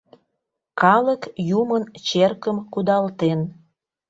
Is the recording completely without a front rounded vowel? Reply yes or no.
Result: yes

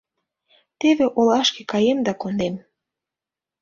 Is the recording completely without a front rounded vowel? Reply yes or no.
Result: yes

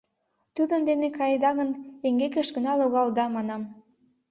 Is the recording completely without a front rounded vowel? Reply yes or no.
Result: yes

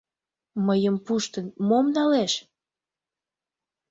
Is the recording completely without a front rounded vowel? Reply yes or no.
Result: yes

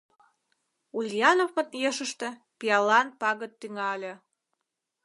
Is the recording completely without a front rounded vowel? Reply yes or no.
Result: no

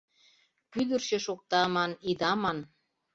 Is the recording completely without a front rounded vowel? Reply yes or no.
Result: no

